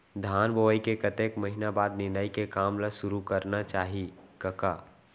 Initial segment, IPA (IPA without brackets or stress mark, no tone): d̪ʱ